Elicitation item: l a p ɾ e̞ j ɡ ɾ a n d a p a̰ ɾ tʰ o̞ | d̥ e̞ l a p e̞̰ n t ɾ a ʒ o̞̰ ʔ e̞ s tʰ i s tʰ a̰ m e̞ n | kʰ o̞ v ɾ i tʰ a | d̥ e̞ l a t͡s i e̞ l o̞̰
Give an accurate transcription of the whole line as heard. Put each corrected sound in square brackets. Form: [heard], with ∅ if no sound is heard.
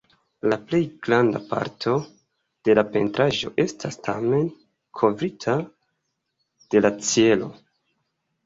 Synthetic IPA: l a p [l] e̞ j ɡ ɾ a n d a p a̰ ɾ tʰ o̞ | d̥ e̞ l a p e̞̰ n t ɾ a ʒ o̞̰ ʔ e̞ s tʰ [a] s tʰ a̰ m e̞ n | kʰ o̞ v ɾ i tʰ a | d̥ e̞ l a t͡s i e̞ l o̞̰